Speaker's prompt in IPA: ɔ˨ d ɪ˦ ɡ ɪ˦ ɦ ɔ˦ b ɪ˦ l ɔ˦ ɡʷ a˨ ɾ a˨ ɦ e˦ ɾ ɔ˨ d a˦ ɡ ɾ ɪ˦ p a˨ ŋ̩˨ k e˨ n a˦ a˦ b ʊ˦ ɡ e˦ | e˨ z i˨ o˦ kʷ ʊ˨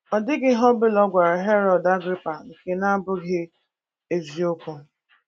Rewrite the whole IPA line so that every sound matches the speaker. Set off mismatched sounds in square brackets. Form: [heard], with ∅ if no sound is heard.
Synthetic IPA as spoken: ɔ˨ d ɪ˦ ɡ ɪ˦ ɦ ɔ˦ b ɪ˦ l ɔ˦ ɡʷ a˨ ɾ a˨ ɦ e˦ ɾ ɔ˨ d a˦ ɡ ɾ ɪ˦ p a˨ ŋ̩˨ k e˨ n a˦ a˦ b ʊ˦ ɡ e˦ | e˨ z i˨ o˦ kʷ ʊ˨